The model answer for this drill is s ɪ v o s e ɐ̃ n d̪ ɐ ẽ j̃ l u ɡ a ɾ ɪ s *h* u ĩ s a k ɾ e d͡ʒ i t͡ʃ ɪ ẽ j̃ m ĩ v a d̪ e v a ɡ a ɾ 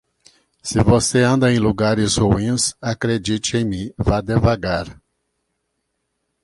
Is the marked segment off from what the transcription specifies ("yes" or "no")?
no